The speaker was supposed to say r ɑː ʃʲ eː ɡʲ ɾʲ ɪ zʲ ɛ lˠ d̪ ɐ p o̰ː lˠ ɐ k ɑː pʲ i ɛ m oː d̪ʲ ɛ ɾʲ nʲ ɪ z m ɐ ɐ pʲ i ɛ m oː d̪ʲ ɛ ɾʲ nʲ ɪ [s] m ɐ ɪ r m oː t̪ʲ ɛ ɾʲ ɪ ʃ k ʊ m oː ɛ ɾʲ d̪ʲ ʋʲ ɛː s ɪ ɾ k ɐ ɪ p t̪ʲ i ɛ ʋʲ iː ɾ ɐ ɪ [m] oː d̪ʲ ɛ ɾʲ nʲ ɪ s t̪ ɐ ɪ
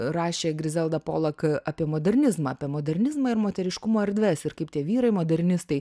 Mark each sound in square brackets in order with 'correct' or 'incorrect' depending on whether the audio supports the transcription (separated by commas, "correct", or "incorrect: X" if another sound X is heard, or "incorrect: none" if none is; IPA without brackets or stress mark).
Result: incorrect: z, correct